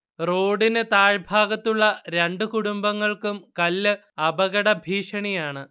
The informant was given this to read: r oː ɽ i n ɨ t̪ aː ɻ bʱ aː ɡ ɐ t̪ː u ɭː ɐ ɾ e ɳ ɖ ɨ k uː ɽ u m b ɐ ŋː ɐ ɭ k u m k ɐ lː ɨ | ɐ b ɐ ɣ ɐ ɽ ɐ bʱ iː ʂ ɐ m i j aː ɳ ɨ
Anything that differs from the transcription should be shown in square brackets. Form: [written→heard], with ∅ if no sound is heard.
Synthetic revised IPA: r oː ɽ i n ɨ t̪ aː ɻ bʱ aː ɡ ɐ t̪ː u ɭː ɐ ɾ e ɳ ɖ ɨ k [uː→u] ɽ u m b ɐ ŋː ɐ ɭ k u m k ɐ lː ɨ | ɐ b ɐ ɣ ɐ ɽ ɐ bʱ iː ʂ ɐ [m→ɳ] i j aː ɳ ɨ